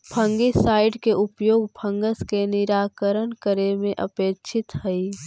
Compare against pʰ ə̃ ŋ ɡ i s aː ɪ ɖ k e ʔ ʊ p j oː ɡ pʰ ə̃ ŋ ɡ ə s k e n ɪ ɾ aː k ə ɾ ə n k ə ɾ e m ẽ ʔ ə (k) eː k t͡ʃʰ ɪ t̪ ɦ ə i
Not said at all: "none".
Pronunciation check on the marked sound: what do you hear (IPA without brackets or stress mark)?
p